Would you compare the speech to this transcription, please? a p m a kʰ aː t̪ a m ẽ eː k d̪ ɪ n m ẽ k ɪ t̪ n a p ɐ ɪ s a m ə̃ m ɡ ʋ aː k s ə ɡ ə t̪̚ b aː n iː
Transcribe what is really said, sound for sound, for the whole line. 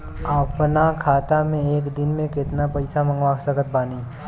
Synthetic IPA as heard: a p n a kʰ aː t̪ a m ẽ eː k d̪ ɪ n m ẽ k ɪ t̪ n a p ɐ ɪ s a m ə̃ ŋ ɡ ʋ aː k s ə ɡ ə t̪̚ b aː n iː